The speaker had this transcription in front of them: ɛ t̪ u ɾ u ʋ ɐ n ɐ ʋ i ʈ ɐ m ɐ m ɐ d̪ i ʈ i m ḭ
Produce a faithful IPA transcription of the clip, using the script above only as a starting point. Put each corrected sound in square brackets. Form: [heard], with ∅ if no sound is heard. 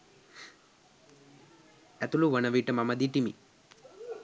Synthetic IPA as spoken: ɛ t̪ u [l] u ʋ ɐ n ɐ ʋ i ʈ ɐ m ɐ m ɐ d̪ i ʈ i m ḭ